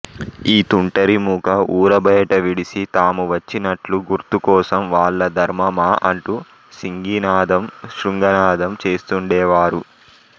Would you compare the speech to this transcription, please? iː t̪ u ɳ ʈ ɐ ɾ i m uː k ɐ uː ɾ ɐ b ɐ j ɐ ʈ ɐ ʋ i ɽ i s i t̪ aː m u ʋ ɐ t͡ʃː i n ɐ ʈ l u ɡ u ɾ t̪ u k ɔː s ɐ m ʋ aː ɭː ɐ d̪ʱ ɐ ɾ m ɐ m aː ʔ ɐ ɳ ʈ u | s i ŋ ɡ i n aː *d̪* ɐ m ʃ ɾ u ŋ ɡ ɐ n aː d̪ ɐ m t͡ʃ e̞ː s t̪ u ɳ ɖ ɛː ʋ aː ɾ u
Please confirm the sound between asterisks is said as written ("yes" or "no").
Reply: yes